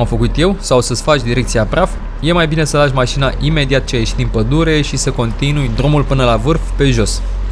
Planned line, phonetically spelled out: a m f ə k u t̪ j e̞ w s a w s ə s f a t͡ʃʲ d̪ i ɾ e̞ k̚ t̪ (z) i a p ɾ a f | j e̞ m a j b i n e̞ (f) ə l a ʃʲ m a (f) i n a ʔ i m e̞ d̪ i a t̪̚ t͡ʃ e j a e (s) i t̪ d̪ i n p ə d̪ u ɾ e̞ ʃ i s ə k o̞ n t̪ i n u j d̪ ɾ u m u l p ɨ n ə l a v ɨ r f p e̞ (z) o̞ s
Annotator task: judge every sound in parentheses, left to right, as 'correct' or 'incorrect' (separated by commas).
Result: incorrect, incorrect, incorrect, incorrect, incorrect